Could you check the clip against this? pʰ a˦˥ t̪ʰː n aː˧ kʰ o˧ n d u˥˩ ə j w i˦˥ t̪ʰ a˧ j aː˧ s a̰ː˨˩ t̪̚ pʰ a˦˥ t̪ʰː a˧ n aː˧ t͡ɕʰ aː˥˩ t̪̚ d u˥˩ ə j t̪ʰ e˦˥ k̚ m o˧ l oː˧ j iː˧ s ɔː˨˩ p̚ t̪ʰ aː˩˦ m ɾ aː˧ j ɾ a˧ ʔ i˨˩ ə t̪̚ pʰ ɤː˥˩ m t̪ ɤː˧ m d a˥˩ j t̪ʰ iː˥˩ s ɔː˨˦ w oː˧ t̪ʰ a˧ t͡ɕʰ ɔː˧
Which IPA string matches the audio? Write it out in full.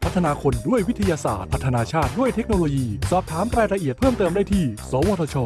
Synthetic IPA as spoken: pʰ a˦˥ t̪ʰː n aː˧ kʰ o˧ n d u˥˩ ə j w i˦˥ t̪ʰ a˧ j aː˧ s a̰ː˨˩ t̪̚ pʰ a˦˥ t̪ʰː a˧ n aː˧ t͡ɕʰ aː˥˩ t̪̚ d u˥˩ ə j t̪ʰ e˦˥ k̚ n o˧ l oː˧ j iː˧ s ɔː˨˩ p̚ t̪ʰ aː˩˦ m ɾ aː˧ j ɾ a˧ ʔ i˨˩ ə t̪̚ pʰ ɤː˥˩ m t̪ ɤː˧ m d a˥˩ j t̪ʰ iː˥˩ s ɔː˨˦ w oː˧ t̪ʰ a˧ t͡ɕʰ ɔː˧